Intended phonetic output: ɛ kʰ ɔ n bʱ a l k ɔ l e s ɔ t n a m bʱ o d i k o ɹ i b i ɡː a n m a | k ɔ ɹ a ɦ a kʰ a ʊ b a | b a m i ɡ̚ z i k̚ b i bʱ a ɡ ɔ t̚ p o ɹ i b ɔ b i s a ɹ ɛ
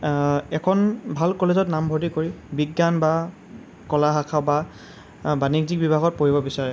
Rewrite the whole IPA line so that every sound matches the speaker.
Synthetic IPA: ɛ kʰ ɔ n bʱ a l k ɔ l e z ɔ t n a m bʱ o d i k o ɹ i b i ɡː a n b a | k ɔ l a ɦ a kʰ a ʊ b a | b a n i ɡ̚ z i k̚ b i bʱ a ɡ ɔ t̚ p o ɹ i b ɔ b i s a ɹ ɛ